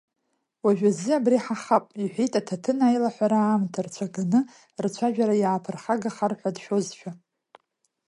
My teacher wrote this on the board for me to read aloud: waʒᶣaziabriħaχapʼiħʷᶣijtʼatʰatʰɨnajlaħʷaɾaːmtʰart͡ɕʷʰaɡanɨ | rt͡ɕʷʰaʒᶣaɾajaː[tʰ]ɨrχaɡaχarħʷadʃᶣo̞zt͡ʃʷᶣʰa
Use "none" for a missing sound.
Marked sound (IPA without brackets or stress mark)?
pʰ